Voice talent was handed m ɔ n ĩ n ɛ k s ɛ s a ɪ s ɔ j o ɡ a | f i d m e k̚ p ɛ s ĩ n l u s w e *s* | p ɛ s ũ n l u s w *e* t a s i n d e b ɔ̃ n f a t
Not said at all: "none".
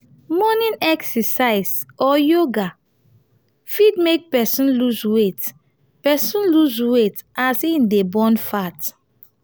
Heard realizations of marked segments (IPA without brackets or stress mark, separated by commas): t, e